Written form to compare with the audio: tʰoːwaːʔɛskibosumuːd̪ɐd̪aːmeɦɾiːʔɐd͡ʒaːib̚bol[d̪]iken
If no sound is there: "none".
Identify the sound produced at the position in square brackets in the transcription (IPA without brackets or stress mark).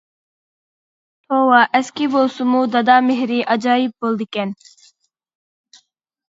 d̪